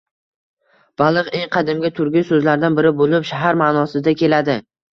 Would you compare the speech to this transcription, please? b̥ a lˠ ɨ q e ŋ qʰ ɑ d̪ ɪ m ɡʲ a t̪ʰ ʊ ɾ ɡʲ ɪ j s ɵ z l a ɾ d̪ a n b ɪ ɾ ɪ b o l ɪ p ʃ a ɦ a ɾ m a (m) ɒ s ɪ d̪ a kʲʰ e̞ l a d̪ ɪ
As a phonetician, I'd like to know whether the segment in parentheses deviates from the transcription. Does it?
yes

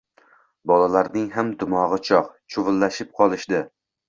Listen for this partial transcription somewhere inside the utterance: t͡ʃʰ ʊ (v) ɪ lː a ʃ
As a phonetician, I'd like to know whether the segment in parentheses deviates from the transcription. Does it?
no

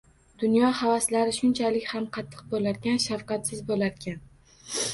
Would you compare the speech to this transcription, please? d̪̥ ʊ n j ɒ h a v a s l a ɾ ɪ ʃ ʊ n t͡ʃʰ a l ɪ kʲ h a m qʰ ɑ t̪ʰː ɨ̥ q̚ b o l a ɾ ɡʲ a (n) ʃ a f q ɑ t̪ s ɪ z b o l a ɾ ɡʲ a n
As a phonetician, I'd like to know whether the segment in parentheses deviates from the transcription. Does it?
no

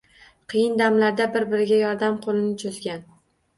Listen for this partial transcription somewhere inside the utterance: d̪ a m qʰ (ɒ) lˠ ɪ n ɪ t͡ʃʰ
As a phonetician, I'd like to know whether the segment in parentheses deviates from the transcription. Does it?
yes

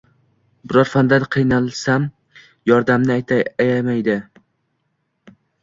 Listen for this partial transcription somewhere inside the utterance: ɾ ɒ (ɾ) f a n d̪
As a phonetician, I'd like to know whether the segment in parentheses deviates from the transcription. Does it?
no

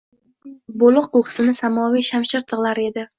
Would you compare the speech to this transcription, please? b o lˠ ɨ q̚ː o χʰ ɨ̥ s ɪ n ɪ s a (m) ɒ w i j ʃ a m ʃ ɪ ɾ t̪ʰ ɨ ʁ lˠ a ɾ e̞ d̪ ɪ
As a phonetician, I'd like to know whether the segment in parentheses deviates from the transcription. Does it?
no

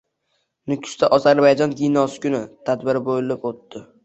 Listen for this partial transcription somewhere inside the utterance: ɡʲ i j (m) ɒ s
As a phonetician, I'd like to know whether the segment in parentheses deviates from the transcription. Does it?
yes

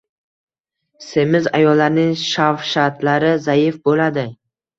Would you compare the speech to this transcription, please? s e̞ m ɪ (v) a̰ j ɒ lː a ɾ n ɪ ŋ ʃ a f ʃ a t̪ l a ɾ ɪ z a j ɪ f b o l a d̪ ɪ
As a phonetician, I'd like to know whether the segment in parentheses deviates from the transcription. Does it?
yes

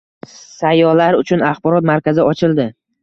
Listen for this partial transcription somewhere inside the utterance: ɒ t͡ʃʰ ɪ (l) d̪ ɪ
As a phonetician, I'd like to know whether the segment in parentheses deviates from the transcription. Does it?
no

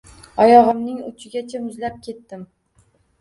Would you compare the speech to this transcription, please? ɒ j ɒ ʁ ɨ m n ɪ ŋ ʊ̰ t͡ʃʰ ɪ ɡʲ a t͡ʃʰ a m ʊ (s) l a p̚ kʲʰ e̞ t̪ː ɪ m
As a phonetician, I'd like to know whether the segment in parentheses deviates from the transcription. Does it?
yes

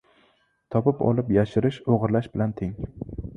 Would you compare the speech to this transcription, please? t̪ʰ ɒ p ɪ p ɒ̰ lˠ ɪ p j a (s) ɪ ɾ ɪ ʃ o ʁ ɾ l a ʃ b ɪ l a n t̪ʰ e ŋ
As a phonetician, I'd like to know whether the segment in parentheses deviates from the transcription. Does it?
yes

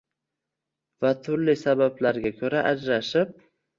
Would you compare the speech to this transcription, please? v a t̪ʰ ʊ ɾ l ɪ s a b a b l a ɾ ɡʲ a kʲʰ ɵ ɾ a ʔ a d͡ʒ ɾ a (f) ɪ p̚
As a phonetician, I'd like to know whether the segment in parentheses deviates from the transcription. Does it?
yes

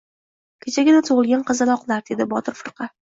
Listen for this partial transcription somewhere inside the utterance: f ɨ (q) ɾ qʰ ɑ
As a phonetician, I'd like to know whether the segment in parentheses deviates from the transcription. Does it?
yes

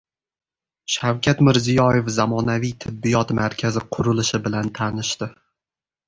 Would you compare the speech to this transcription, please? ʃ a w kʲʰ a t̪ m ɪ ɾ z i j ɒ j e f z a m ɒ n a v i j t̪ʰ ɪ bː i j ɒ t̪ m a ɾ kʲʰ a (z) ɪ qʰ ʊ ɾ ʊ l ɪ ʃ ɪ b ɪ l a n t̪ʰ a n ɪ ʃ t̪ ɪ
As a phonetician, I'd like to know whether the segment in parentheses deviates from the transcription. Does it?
no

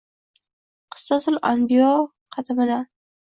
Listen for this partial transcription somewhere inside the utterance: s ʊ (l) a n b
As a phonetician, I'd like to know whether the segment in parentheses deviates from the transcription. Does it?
no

